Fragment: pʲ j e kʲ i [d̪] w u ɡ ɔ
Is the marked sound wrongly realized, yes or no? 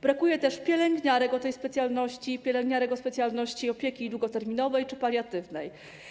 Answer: no